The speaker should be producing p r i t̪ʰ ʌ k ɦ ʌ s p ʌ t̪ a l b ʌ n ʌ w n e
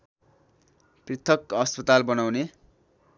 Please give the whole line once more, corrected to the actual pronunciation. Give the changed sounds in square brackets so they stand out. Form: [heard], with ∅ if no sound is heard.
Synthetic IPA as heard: p r i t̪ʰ ʌ k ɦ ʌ s p ʌ t̪ a l b ʌ n [a] w n e